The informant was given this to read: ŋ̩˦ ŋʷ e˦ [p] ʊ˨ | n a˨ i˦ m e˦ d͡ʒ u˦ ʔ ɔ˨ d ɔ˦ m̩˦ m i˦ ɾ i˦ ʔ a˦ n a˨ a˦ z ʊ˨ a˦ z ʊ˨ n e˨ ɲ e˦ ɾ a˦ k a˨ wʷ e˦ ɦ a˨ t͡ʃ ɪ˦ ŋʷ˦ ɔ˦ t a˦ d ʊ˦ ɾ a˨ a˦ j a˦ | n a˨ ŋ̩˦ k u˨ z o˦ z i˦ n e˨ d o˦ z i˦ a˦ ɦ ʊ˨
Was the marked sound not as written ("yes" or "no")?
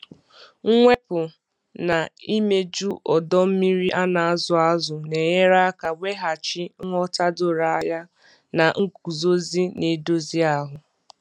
no